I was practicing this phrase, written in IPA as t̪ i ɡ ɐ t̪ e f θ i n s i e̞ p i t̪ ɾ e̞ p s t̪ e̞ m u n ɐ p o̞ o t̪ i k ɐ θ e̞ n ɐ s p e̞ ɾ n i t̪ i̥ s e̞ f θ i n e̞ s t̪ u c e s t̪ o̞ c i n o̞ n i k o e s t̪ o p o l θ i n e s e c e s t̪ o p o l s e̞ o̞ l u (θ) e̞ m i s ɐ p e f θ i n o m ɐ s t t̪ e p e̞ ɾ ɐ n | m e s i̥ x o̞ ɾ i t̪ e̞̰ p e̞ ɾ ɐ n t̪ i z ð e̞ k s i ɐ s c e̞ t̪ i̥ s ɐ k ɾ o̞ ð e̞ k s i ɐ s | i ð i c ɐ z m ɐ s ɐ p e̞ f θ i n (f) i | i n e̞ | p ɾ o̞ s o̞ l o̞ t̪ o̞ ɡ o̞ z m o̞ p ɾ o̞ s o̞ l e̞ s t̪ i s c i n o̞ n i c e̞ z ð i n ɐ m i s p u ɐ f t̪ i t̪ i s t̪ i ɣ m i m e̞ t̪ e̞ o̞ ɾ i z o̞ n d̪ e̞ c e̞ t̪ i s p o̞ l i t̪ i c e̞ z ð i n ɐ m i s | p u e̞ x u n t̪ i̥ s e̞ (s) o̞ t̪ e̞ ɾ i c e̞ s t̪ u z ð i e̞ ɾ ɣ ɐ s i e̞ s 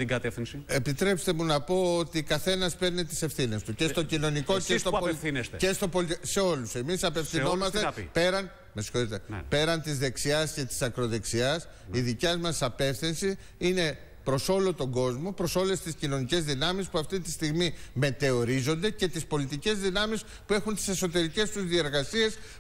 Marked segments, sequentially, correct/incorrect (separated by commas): incorrect, incorrect, correct